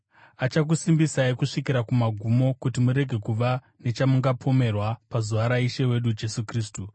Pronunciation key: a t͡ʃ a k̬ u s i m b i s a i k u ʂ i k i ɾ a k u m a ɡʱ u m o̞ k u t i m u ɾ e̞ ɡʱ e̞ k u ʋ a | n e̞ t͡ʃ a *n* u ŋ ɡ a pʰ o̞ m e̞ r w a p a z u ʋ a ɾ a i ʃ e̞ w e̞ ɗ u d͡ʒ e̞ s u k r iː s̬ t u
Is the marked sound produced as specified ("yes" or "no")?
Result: no